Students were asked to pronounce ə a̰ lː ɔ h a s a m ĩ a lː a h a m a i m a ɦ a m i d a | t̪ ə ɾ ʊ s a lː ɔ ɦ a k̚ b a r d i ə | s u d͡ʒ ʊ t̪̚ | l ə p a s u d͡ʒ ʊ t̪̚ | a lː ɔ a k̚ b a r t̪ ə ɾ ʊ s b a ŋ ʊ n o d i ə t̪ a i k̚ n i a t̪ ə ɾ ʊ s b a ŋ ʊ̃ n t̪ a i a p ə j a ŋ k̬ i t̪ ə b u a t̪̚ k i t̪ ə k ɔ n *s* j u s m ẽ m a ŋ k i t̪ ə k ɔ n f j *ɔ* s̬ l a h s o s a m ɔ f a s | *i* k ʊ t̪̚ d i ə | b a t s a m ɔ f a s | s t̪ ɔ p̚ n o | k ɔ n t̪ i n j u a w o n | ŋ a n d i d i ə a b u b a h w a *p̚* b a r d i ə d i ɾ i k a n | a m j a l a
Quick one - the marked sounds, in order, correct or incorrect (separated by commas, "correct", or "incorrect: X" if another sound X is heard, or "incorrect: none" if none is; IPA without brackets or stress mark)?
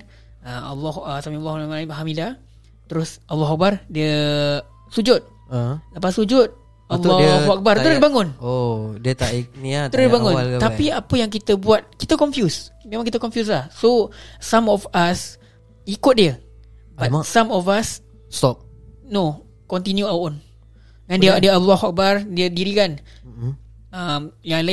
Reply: incorrect: f, incorrect: u, correct, incorrect: k̚